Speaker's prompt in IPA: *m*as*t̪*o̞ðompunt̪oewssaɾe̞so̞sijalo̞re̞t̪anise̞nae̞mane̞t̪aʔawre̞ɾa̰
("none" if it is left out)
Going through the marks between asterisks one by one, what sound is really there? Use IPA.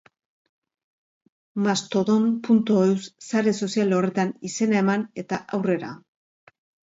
m, t̪

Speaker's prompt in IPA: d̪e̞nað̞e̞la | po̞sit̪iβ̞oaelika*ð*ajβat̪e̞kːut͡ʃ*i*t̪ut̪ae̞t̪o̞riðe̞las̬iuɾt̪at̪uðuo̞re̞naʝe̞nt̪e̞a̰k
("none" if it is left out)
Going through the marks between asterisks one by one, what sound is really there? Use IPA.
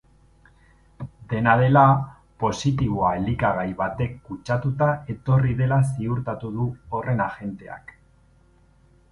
ɣ, a

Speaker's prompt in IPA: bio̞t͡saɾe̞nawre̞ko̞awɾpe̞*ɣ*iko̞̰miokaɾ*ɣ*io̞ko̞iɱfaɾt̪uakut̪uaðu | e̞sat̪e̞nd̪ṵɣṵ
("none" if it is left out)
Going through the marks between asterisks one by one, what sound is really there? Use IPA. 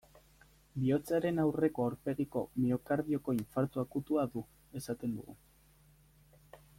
ɣ, ð

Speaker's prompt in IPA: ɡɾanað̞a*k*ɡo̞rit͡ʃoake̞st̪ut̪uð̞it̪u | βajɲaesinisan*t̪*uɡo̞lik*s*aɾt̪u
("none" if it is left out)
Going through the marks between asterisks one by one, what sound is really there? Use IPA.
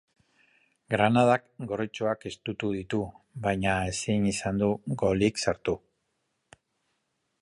k, d̪, s

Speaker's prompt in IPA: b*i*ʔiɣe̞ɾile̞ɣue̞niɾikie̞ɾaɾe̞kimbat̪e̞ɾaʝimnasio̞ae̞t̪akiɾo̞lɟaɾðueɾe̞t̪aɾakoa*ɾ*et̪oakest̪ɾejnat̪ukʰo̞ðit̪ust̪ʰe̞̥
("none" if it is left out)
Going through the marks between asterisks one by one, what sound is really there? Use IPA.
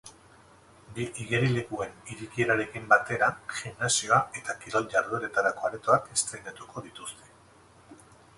i, ɾ

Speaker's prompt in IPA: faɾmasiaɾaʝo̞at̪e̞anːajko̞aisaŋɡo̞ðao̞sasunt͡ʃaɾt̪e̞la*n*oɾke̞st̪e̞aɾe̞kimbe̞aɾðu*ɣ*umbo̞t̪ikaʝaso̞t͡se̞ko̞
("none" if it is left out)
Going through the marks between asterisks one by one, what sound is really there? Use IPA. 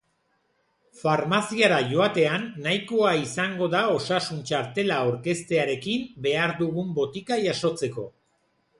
none, ɣ

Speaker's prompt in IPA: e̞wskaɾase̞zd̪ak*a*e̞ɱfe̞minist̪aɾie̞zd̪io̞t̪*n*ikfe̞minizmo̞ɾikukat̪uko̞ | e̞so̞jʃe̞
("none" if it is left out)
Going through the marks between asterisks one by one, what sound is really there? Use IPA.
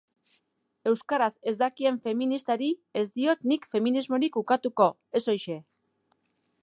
i, n

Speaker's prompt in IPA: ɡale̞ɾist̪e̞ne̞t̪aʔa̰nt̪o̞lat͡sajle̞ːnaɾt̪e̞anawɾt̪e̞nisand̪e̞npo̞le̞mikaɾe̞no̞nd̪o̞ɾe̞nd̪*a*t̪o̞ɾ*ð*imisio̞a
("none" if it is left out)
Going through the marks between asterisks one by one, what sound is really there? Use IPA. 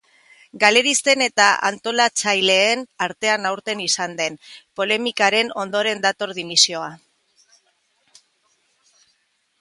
a, ð

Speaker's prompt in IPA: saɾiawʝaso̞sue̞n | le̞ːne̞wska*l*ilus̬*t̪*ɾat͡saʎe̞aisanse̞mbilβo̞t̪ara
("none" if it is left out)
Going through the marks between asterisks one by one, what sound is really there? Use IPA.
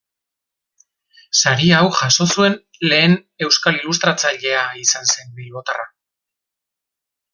l, t̪

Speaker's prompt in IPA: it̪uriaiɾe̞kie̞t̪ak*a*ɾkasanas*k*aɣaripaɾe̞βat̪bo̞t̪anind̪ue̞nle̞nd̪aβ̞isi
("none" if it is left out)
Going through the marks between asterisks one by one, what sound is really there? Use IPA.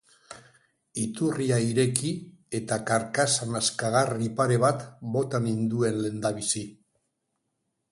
a, k

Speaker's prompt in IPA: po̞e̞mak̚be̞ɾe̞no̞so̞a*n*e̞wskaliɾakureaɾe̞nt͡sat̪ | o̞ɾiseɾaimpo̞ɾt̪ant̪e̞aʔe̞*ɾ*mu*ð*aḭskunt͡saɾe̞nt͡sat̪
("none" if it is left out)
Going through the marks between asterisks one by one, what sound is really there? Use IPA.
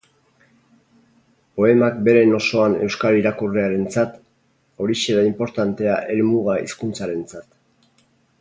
n, l, ɣ

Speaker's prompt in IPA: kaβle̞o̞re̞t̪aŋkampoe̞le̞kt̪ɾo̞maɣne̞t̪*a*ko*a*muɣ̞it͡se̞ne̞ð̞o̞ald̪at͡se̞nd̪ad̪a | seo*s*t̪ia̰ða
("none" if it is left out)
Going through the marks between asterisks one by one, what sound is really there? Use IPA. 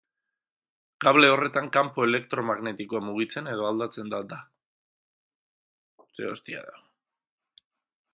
i, a, s

